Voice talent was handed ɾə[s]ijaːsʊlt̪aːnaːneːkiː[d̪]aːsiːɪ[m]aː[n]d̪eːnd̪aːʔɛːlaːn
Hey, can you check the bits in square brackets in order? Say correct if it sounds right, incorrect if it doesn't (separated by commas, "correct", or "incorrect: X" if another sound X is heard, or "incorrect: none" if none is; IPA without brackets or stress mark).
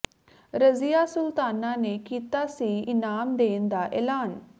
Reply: incorrect: z, incorrect: t̪, incorrect: n, incorrect: m